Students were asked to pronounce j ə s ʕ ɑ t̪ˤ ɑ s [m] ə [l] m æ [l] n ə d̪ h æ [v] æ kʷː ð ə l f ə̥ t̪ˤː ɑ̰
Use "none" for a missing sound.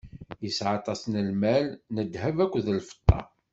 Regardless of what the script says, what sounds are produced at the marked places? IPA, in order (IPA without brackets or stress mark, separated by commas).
n, l, l, v